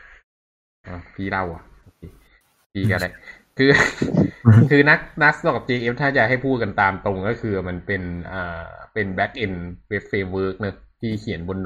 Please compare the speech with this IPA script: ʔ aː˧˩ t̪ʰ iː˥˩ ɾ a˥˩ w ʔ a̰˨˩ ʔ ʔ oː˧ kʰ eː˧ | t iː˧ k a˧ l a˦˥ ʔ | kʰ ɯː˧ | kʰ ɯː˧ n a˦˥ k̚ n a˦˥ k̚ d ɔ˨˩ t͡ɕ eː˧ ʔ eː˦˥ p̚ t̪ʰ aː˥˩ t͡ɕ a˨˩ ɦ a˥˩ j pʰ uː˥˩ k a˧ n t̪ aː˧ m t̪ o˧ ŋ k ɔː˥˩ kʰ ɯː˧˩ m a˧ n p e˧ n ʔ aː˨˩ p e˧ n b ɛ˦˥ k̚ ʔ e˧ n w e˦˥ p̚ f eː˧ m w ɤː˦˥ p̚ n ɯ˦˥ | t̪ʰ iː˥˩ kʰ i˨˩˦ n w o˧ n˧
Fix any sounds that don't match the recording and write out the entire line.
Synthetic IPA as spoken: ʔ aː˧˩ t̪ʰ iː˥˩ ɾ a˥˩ w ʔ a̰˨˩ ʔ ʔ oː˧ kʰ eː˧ | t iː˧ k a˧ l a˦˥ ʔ | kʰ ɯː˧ | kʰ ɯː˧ n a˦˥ k̚ n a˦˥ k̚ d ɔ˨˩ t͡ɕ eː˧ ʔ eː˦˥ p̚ t̪ʰ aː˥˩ t͡ɕ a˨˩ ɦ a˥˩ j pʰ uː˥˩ k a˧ n t̪ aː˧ m t̪ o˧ ŋ k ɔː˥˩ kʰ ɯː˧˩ m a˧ n p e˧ n ʔ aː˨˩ p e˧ n b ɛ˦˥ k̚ ʔ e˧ n w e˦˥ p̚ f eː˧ m w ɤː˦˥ k̚ n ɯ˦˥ | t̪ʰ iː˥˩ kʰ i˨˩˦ n b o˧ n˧